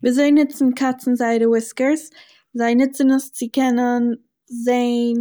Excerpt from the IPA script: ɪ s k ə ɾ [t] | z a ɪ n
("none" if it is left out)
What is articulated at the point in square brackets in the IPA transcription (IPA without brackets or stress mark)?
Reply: s